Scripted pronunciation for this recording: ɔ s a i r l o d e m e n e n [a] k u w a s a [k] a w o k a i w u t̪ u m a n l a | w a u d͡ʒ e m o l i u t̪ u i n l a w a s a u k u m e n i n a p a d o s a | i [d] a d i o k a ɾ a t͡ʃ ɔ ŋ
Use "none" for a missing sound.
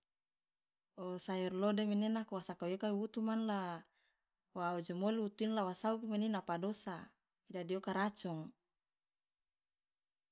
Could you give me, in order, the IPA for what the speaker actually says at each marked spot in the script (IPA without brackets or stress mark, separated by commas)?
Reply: a, k, d